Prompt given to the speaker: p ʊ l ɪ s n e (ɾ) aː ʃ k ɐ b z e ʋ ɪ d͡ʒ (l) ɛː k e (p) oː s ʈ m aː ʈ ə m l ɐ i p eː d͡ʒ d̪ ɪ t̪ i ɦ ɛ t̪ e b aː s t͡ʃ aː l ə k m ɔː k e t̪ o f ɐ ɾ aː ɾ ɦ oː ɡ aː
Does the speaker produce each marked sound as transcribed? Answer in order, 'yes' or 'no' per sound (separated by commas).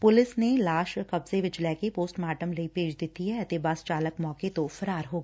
no, yes, yes